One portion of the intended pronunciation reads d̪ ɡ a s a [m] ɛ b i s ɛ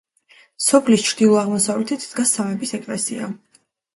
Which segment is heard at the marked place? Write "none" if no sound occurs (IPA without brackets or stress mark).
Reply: m